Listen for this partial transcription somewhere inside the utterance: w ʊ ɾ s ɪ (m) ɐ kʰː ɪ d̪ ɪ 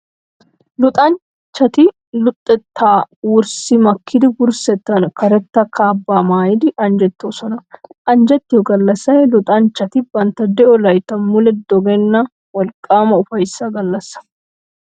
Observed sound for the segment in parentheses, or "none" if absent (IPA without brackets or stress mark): m